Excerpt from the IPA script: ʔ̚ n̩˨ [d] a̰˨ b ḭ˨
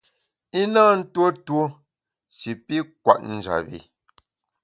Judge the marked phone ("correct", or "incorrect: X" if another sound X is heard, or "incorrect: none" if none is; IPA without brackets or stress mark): incorrect: d͡ʒ